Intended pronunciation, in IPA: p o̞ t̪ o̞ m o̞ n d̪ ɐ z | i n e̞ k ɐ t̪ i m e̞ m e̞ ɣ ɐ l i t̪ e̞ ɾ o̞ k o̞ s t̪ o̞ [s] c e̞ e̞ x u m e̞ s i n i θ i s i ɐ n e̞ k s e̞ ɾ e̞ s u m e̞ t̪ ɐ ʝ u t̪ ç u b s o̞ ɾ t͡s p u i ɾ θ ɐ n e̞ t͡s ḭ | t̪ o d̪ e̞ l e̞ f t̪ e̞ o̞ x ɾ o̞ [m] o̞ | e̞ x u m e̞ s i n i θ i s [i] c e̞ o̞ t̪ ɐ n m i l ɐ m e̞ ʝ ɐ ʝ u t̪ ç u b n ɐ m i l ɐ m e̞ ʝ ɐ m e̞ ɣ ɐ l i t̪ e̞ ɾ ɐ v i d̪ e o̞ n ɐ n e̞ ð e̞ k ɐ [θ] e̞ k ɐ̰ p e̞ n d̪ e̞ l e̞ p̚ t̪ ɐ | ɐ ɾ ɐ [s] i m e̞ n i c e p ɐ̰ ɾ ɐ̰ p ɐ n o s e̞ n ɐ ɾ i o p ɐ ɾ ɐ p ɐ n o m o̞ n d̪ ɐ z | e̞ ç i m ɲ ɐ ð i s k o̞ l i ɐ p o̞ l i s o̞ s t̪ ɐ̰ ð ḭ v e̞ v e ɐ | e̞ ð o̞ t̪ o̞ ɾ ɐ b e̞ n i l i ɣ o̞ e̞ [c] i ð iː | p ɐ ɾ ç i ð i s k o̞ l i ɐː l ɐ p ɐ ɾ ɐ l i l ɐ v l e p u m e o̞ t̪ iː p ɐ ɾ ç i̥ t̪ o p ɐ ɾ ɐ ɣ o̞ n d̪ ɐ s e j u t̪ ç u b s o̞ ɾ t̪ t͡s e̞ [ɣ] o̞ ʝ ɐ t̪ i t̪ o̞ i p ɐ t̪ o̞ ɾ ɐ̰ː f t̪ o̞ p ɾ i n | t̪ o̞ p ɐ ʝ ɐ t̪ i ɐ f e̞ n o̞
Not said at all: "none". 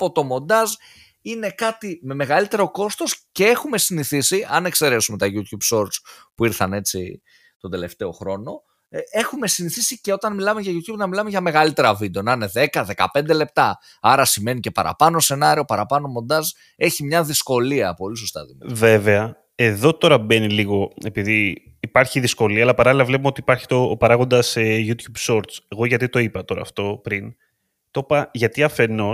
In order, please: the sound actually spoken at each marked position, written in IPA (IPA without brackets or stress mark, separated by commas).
s, n, i, ð, s, p, ɣ